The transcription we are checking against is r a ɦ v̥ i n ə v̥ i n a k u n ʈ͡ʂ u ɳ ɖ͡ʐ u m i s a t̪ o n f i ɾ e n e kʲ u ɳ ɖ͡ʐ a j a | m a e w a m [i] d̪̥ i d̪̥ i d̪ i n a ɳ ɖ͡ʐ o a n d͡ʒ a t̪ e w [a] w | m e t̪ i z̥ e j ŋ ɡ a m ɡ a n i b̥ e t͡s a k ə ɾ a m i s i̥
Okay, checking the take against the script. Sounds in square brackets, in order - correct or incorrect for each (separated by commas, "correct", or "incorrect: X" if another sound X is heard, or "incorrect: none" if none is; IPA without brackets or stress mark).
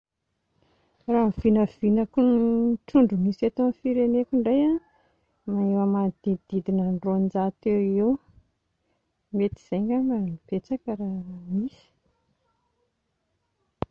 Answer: incorrect: a, incorrect: e